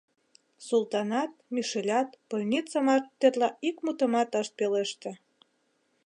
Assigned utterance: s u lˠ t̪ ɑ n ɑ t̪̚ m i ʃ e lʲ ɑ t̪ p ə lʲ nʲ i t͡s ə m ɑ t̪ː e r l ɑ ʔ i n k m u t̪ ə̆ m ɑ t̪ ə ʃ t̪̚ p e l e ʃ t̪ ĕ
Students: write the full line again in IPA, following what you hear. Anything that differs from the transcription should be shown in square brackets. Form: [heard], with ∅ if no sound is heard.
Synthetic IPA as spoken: s u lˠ t̪ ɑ n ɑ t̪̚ m i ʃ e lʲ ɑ t̪ p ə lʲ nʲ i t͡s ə m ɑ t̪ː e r l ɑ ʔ i [∅] k m u t̪ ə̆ m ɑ t̪ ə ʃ t̪̚ p e l e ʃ t̪ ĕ